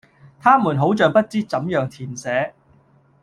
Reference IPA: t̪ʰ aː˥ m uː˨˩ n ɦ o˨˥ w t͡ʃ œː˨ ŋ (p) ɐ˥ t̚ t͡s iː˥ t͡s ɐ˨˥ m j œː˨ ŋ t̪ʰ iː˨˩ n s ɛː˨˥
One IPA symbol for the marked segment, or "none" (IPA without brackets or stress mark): p